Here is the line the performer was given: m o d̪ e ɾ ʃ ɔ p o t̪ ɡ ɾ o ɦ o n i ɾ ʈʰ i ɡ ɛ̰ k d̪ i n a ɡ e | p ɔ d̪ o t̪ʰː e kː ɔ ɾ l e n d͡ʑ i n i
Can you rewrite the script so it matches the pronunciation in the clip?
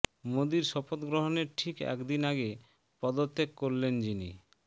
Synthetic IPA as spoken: m o d̪ i ɾ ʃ ɔ p o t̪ ɡ ɾ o ɦ o n e ɾ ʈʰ i k ɛ̰ k d̪ i n a ɡ e | p ɔ d̪ o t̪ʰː e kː o ɾ l e n d͡ʑ i n i